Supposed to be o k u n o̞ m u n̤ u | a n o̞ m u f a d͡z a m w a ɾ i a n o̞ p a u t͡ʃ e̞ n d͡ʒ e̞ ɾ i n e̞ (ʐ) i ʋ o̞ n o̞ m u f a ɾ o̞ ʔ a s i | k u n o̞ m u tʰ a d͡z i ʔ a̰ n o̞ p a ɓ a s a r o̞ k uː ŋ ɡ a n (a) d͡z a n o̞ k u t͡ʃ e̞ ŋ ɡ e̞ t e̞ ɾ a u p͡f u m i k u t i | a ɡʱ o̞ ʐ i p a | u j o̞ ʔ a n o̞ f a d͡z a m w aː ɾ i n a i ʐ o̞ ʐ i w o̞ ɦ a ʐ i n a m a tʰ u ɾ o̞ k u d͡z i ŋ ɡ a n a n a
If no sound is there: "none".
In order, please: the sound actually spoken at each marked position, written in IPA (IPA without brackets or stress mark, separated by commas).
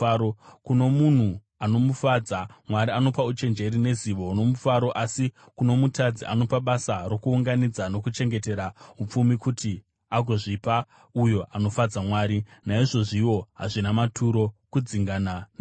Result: z, i